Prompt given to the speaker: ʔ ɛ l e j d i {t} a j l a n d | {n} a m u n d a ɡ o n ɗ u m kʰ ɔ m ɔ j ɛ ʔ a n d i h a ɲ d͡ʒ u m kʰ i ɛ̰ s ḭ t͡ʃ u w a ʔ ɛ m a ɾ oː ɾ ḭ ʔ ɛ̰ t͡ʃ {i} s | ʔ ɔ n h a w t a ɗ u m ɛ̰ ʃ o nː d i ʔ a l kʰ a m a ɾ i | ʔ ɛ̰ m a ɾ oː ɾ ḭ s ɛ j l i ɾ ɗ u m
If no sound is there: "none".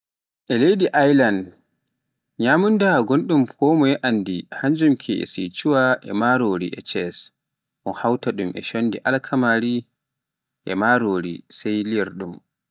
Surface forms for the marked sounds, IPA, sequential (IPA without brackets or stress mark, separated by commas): ʔ, ɲ, ɛ